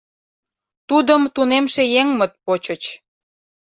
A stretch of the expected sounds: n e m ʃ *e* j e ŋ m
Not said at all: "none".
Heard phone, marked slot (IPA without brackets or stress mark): e